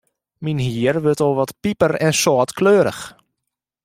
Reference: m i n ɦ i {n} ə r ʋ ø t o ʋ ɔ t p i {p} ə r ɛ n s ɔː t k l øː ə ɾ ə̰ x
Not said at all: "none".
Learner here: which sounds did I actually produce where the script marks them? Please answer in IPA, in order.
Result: none, p

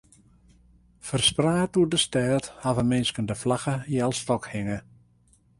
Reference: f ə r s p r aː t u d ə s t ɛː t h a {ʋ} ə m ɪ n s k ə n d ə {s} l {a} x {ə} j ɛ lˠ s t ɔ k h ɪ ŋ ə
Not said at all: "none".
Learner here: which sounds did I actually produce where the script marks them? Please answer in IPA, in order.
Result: v, f, a, ə

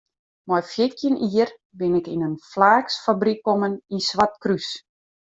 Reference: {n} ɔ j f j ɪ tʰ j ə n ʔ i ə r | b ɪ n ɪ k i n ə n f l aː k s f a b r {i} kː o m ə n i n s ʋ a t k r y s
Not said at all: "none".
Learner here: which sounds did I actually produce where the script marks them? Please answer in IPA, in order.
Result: m, i

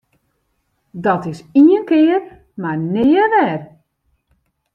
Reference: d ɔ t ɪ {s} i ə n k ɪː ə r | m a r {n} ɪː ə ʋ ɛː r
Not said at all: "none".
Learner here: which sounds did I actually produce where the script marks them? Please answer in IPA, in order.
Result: s, n

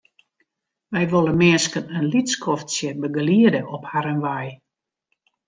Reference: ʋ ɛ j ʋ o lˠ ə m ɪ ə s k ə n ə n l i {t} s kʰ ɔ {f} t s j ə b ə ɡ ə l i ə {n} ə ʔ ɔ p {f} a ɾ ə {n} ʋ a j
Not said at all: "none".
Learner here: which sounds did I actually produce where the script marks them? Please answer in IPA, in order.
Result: t, f, d, h, n

